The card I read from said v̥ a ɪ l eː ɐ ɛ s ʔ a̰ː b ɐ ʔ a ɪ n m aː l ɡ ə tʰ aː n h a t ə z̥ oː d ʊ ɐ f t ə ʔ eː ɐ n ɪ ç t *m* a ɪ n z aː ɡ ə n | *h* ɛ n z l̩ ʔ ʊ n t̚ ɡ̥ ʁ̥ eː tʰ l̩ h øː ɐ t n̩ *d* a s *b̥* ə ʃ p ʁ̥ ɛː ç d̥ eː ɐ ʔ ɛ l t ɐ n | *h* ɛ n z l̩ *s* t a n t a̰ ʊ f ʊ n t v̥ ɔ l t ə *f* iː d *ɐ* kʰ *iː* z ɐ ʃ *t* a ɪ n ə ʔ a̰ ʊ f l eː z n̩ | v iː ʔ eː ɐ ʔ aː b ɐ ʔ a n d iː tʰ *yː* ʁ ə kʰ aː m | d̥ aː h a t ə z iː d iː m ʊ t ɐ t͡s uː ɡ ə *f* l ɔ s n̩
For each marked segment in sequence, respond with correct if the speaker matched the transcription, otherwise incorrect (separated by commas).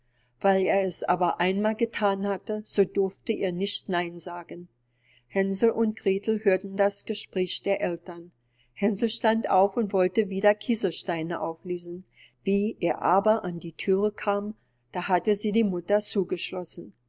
incorrect, correct, correct, incorrect, correct, incorrect, incorrect, correct, correct, correct, correct, incorrect